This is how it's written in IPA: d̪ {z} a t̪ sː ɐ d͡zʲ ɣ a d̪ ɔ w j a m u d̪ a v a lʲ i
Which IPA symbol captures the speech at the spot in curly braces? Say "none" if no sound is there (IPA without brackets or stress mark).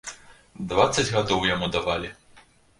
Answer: v